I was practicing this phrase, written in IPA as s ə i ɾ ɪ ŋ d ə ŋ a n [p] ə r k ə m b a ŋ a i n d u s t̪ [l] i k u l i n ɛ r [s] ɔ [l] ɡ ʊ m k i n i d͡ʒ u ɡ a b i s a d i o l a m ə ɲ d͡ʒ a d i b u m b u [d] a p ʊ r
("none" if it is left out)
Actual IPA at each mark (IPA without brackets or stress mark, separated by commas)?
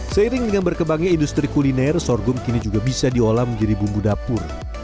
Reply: b, ɾ, s, r, d